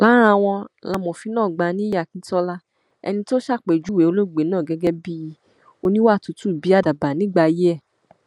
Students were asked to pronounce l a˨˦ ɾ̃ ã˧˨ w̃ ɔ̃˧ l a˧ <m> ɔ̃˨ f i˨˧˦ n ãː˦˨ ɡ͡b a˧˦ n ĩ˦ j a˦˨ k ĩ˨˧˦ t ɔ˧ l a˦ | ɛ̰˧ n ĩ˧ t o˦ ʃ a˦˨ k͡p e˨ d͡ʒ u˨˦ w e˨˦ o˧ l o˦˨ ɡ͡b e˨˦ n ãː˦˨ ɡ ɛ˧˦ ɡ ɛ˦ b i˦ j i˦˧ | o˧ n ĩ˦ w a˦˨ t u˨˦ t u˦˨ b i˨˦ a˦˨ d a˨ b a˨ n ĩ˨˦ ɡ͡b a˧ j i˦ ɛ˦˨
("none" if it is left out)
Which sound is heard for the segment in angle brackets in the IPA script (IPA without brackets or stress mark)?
m